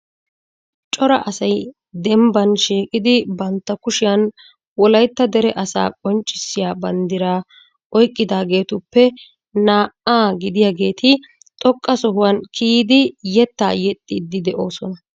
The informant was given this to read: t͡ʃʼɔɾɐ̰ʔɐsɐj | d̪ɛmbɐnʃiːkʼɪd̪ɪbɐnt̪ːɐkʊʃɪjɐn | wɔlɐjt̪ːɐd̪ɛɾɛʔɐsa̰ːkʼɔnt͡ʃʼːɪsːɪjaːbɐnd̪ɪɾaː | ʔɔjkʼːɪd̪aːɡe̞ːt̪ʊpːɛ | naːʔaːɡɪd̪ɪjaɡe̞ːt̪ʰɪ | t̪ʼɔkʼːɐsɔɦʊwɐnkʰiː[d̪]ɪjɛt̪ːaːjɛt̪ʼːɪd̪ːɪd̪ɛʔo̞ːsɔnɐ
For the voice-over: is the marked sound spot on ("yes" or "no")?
yes